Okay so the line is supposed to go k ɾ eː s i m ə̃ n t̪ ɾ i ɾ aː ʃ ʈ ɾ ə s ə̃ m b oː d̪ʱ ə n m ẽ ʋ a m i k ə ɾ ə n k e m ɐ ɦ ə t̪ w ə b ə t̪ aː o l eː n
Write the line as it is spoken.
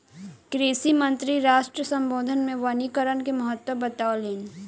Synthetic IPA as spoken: k ɾ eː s i m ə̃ n t̪ ɾ i ɾ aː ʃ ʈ ɾ ə s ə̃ m b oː d̪ʱ ə n m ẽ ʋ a n i k ə ɾ ə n k e m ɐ ɦ ə t̪ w ə b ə t̪ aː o l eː n